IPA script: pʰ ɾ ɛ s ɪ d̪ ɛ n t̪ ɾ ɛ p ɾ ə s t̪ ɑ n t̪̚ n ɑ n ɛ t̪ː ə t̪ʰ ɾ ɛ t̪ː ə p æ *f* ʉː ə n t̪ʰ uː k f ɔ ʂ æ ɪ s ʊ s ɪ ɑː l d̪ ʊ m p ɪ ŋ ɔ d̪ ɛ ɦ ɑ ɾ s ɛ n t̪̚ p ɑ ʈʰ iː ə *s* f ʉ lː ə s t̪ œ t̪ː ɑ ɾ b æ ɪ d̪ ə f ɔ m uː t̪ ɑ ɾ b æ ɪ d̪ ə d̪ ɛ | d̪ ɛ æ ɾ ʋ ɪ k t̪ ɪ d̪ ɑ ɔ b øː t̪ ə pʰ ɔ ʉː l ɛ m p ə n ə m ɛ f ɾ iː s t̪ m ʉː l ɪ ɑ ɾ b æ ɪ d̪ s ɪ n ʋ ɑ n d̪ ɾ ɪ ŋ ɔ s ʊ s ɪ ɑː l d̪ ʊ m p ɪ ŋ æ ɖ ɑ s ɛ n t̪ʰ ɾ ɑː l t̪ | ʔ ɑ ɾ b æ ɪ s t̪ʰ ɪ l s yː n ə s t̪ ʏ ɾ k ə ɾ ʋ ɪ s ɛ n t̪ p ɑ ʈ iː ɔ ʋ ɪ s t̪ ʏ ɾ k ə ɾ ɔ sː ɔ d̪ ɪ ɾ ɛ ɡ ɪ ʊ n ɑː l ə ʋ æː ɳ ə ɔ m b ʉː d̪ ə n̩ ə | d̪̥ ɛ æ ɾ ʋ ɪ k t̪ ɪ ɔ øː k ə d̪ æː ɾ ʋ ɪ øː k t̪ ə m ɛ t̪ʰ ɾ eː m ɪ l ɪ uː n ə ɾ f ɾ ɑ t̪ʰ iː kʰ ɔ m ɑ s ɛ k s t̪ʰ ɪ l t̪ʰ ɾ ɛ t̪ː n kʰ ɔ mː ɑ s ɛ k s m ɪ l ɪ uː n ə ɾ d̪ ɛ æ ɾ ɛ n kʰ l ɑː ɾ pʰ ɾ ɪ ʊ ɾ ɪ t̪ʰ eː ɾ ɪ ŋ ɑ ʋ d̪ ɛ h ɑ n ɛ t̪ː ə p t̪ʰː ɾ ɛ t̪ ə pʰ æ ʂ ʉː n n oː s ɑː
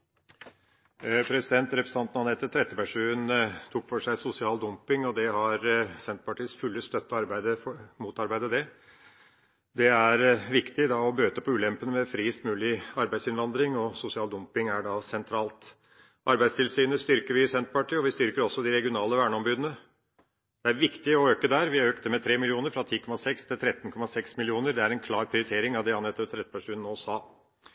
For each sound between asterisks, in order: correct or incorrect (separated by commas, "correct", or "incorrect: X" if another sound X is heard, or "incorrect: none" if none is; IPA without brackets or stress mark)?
incorrect: ʂ, correct